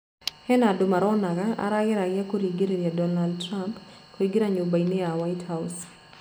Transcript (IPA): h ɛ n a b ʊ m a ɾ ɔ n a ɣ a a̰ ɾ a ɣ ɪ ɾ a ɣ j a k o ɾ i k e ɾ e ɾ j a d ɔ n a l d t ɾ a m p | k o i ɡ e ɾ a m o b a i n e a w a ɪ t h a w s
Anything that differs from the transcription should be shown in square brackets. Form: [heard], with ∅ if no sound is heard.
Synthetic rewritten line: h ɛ n a [d] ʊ m a ɾ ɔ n a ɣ a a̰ ɾ a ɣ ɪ ɾ a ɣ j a k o ɾ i [ɡ] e ɾ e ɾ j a d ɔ n a l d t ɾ a m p | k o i ɡ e ɾ a [ɲ] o b a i n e a w a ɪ t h a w s